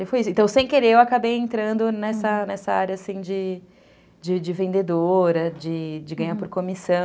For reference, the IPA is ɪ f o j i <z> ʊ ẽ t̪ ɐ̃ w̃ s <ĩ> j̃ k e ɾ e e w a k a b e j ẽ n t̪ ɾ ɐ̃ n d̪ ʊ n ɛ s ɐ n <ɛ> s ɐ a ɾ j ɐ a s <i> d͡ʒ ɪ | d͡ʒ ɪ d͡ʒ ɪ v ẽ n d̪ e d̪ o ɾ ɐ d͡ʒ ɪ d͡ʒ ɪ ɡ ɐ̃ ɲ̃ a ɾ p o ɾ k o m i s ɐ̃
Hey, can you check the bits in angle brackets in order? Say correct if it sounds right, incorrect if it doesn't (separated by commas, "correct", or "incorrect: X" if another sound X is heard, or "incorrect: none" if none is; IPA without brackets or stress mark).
incorrect: s, incorrect: ẽ, correct, incorrect: ĩ